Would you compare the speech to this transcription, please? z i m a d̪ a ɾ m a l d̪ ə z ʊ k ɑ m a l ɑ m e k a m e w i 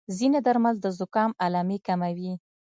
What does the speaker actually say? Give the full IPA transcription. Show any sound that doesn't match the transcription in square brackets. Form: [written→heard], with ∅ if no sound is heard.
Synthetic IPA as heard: z i [m→n] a d̪ a ɾ m a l d̪ ə z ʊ k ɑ m a l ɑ m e k a m [e→a] w i